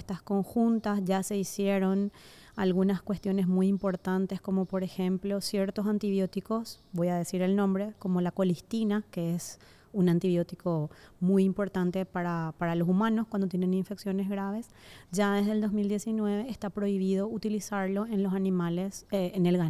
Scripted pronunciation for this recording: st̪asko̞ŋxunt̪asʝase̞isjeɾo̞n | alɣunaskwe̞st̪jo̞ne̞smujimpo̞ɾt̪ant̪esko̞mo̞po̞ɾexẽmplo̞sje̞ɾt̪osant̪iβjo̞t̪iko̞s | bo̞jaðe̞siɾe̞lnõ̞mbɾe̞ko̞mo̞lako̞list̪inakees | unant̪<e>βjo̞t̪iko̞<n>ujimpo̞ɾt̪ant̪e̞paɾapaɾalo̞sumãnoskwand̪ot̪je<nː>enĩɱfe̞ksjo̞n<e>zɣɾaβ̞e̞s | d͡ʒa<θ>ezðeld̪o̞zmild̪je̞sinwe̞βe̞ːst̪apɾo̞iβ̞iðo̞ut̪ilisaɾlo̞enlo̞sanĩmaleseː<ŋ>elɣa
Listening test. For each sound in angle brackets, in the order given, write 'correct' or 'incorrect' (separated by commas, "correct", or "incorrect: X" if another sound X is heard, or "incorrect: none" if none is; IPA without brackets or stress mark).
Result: incorrect: i, incorrect: m, incorrect: n, correct, incorrect: ð, incorrect: n